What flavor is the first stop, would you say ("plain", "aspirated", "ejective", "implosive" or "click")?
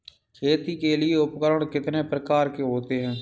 aspirated